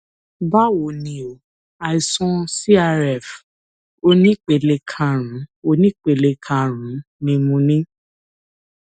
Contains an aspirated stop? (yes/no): yes